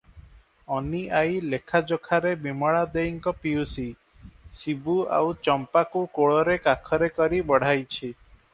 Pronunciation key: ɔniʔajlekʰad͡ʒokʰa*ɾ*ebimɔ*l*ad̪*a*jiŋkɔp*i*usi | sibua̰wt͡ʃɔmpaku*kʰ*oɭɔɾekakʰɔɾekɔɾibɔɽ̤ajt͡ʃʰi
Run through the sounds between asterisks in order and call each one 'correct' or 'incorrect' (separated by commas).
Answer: correct, incorrect, incorrect, correct, incorrect